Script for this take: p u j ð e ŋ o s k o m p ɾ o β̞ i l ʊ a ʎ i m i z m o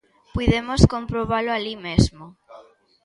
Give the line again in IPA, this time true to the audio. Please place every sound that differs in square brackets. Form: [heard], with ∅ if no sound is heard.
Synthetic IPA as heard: p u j ð e [m] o s k o m p ɾ o β̞ [a] l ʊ a [l] i m [e] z m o